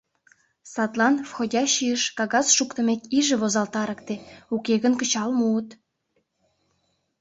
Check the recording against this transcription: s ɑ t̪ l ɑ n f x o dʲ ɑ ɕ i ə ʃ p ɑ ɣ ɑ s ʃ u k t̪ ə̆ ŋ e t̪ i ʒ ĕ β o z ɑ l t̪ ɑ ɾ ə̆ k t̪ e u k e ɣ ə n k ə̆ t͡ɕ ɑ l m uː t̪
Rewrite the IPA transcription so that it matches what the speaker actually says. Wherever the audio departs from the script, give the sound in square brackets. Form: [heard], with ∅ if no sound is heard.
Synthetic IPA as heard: s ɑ t̪ l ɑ n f x o dʲ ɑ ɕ i ə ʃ [k] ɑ ɣ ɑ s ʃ u k t̪ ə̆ [m] e t̪ i ʒ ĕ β o z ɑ l t̪ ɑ ɾ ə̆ k t̪ e u k e ɣ ə n k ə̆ t͡ɕ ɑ l m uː t̪